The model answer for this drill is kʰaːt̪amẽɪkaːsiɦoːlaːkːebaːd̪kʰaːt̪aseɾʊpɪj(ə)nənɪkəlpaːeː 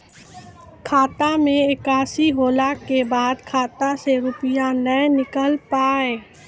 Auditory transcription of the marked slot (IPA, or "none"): a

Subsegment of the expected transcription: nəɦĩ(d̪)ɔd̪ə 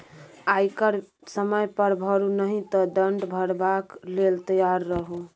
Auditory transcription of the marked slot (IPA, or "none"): t̪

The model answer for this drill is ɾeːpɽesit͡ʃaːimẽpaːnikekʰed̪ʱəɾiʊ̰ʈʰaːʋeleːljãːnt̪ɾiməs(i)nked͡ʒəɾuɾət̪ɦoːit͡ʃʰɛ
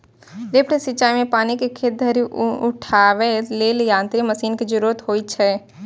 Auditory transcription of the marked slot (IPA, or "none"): iː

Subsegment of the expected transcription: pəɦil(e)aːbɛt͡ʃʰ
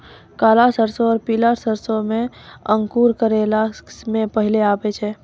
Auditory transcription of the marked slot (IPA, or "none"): e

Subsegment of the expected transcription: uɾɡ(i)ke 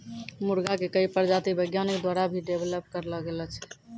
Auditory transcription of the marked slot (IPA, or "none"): a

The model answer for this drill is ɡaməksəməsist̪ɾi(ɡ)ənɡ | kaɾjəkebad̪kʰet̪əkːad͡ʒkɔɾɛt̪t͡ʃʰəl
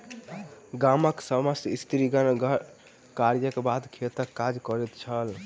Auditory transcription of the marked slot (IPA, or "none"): ɡ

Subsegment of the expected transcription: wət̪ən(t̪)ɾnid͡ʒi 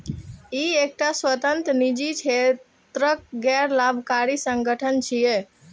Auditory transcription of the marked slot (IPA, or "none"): t̪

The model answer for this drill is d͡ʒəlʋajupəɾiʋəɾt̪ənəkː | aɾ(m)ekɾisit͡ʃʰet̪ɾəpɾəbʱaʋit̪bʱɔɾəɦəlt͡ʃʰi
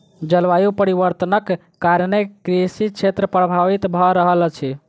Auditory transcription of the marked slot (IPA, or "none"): n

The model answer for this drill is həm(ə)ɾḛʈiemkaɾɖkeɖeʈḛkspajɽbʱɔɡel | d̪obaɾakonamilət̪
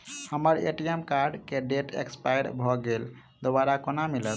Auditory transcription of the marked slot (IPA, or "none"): ə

